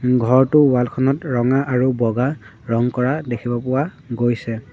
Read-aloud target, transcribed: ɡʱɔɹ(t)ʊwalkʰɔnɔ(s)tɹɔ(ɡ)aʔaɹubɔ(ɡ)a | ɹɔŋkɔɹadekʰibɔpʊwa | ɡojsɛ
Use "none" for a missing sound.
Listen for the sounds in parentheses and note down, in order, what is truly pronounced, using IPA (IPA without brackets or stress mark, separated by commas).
t, none, ŋ, ɡ